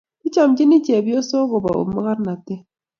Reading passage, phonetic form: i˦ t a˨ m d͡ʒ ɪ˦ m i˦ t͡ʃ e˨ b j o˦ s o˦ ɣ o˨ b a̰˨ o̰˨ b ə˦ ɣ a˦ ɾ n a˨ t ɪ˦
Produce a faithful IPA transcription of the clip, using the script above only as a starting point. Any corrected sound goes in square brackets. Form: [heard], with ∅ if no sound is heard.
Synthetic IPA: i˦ [t͡ʃ] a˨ m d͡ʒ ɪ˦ [n] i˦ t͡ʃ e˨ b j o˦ s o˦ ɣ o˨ b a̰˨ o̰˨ [m] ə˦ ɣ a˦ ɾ n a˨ t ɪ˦